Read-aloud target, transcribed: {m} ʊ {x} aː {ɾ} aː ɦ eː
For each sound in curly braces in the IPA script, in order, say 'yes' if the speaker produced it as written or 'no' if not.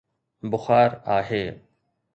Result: no, yes, yes

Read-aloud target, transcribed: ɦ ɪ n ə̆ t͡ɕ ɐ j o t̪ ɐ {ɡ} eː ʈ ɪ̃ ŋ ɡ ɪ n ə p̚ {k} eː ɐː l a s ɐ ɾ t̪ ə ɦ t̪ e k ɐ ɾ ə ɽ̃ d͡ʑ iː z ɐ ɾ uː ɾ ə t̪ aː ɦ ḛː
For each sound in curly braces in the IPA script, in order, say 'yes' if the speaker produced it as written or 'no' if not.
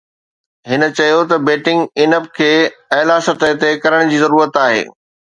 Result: no, no

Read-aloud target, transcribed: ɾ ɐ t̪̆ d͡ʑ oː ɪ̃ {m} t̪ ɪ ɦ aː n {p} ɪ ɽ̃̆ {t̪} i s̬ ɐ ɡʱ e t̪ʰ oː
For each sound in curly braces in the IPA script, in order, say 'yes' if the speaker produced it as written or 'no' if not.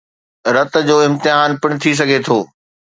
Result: yes, yes, no

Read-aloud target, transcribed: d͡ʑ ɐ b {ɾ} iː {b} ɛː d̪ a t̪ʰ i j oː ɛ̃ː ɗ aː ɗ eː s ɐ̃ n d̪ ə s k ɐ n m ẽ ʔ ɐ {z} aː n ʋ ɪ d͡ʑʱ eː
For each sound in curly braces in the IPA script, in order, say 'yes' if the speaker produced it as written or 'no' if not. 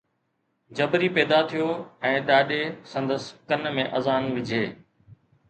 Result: yes, no, yes

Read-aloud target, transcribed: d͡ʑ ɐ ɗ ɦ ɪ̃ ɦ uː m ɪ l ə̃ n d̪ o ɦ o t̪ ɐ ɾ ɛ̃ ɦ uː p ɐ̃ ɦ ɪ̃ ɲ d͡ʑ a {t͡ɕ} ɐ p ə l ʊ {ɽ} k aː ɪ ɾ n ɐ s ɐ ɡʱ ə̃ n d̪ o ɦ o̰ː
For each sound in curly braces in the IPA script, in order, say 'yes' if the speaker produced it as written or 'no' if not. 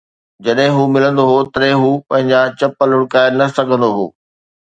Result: yes, yes

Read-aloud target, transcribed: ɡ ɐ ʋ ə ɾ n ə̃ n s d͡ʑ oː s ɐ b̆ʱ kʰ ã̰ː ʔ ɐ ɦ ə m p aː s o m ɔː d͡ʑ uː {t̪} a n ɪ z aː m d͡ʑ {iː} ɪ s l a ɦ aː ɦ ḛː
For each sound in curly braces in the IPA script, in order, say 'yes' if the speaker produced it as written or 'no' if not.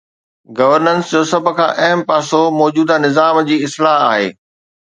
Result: no, yes

